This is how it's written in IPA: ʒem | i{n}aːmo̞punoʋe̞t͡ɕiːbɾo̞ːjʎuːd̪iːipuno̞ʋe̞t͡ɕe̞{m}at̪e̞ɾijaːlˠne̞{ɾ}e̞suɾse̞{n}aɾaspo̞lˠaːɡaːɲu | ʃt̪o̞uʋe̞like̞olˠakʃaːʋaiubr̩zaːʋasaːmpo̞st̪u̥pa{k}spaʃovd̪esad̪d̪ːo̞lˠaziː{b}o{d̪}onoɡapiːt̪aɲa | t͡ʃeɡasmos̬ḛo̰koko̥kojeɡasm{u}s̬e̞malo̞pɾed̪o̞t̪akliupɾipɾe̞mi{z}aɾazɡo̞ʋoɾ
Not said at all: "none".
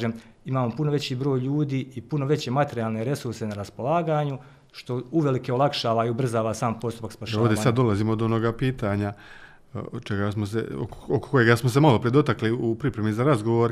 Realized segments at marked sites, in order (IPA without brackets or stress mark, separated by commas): m, m, ɾ, n, k, m, d̪, o, z